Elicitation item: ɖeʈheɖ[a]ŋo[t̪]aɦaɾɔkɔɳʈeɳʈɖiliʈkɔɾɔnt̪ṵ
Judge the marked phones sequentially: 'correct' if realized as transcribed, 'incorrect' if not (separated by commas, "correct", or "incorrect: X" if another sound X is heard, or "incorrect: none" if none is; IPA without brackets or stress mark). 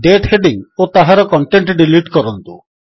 incorrect: i, correct